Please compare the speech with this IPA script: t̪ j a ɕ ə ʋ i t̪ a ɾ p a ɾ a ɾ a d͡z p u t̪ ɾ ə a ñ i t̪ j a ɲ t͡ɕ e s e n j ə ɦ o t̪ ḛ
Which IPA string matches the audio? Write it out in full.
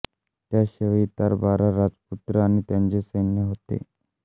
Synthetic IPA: t̪ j a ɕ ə ʋ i t̪ a ɾ b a ɾ a ɾ a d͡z p u t̪ ɾ ə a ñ i t̪ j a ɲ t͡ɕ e s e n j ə ɦ o t̪ ḛ